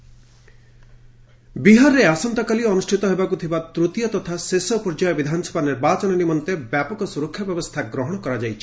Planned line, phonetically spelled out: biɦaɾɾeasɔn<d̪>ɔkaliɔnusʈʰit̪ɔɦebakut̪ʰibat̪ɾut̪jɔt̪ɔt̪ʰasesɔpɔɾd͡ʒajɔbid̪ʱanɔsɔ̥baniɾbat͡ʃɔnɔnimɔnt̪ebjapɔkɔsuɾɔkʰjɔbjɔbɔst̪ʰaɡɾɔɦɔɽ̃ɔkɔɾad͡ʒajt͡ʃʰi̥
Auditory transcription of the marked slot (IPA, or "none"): t̪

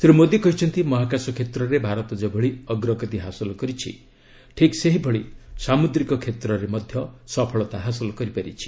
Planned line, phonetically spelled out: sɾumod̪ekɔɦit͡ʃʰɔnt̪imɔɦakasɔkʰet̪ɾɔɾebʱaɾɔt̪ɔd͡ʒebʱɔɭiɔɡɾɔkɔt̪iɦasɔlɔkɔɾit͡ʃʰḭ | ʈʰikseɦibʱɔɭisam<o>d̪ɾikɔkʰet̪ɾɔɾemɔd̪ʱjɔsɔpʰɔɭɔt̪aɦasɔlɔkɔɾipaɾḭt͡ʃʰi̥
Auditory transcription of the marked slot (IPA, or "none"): u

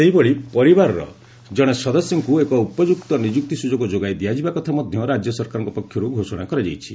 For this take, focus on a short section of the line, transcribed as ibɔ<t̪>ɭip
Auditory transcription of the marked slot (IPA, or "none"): none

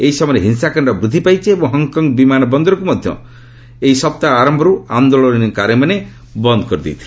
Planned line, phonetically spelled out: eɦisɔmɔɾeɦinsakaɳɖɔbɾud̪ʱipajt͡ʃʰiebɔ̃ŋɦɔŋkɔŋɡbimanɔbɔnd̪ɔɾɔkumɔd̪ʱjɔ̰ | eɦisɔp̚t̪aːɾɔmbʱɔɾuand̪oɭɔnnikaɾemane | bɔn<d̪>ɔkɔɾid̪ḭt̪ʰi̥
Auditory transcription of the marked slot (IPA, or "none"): d̪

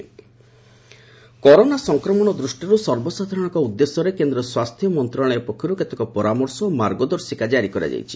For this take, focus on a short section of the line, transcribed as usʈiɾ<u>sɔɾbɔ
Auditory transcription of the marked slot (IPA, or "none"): u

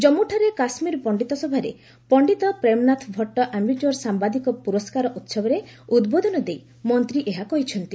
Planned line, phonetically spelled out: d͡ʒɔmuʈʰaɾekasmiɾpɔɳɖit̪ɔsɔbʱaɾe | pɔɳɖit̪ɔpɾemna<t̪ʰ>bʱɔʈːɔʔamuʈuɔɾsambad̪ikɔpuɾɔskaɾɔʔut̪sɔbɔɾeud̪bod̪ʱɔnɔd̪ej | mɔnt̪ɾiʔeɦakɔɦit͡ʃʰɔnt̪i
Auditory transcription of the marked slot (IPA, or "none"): t̪ʰ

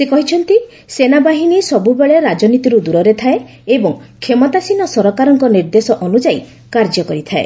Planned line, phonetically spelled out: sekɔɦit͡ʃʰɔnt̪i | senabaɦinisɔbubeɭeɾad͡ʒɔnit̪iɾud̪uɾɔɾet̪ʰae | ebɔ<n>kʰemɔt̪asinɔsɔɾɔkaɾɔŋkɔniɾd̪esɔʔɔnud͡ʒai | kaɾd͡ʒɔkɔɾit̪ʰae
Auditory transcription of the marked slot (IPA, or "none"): ŋ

